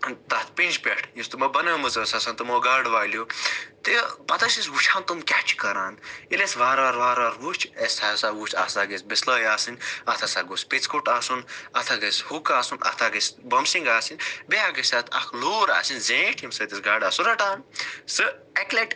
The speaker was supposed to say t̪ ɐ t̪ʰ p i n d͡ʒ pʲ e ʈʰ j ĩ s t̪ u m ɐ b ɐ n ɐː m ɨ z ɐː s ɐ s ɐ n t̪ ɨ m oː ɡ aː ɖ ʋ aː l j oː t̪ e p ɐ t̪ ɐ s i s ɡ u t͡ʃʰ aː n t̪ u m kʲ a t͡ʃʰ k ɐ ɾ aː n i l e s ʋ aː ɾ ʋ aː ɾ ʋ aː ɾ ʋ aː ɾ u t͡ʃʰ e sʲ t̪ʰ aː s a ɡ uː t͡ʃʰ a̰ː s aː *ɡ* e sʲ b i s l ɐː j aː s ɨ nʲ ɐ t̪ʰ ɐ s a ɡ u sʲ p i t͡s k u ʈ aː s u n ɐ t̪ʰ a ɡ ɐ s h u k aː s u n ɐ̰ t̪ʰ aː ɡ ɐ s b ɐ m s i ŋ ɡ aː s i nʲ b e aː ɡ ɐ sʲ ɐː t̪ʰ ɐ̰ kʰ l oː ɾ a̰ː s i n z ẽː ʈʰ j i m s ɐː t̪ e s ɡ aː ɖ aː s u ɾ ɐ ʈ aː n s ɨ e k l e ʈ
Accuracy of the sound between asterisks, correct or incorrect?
correct